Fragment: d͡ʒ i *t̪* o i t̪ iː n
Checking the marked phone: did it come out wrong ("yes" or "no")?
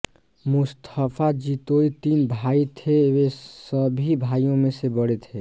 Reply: no